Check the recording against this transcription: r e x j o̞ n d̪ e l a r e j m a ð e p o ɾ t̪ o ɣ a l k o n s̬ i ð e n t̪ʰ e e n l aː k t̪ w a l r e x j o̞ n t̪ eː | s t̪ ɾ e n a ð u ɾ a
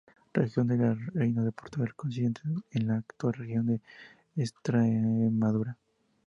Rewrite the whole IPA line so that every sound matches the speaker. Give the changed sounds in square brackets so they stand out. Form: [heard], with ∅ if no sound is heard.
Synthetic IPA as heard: r e x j o̞ n d̪ e l a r e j [n] a ð e p o ɾ t̪ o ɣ a l k o n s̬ i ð e n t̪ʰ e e n l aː k t̪ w a l r e x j o̞ n [d̪] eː | s t̪ ɾ e [m] a ð u ɾ a